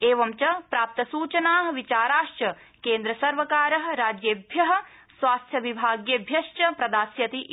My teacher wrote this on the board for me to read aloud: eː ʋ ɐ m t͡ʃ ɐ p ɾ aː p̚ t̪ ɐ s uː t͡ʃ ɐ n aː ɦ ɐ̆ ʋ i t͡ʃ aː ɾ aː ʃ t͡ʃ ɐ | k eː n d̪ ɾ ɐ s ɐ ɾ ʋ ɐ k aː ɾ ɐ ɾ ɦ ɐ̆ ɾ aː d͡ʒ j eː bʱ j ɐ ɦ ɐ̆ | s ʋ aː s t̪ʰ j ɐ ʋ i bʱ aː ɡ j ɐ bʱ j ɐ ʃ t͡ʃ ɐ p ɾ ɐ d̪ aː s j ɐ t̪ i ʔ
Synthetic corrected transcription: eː ʋ ɐ m t͡ʃ ɐ p ɾ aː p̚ t̪ ɐ s uː t͡ʃ ɐ n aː ɦ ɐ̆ ʋ i t͡ʃ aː ɾ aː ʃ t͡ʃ ɐ | k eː n d̪ ɾ ɐ s ɐ ɾ ʋ ɐ k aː ɾ ɐ ɦ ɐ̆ ɾ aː d͡ʒ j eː bʱ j ɐ ɦ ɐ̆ | s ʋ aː s t̪ʰ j ɐ ʋ i bʱ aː ɡ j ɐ bʱ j ɐ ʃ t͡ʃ ɐ p ɾ ɐ d̪ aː s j ɐ t̪ i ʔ